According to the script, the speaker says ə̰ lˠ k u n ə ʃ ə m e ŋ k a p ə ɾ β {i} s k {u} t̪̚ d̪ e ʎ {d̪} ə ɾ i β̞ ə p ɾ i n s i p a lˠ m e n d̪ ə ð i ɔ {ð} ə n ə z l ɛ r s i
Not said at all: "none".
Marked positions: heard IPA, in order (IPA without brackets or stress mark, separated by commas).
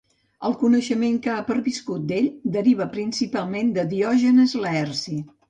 i, u, d̪, ʒ